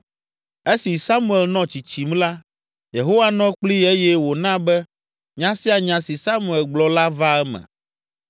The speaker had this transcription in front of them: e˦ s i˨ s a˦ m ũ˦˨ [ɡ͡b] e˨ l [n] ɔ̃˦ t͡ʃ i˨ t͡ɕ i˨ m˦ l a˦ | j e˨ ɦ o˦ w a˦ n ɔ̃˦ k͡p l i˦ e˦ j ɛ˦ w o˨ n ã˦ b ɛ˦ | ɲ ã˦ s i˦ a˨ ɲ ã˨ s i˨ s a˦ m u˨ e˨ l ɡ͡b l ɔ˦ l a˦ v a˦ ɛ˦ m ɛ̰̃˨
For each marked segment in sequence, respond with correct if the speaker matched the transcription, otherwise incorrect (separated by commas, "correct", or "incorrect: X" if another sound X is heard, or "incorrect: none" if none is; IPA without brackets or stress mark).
incorrect: none, correct